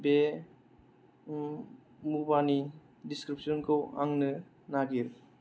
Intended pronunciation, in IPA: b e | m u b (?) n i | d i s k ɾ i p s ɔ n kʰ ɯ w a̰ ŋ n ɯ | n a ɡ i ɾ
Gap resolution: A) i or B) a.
B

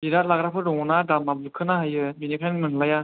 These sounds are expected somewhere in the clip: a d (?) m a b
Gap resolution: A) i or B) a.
B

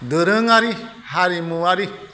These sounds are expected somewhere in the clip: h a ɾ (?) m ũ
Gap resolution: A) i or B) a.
A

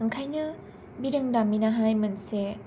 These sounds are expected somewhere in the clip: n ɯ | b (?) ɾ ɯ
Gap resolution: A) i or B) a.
A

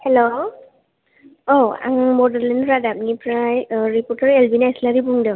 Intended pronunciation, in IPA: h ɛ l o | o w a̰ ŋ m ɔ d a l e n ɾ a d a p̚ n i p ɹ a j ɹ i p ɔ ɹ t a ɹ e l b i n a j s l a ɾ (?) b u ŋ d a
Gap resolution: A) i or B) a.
A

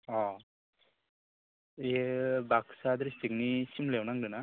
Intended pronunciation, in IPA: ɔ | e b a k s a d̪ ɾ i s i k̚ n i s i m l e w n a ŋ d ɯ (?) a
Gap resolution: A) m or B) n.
B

